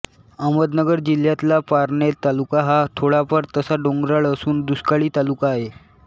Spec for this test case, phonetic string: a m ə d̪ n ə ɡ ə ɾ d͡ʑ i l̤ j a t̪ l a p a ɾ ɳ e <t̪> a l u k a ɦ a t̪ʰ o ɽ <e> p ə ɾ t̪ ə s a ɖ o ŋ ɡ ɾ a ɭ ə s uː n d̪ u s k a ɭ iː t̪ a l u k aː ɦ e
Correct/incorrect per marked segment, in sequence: correct, incorrect

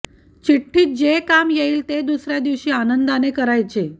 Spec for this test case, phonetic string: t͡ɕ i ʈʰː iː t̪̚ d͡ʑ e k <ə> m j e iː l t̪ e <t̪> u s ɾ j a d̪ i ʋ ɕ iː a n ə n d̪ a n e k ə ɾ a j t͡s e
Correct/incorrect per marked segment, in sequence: incorrect, incorrect

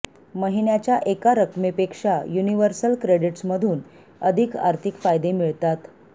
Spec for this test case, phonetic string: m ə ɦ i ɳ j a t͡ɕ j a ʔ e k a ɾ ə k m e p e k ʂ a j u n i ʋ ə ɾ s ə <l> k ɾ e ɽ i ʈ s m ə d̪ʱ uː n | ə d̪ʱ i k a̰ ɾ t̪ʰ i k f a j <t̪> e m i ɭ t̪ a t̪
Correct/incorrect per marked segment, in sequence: correct, incorrect

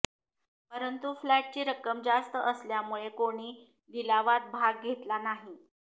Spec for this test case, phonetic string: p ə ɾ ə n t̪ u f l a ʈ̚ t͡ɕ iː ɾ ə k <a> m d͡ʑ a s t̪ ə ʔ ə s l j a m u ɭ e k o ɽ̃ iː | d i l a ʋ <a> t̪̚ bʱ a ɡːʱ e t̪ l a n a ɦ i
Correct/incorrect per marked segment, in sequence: incorrect, correct

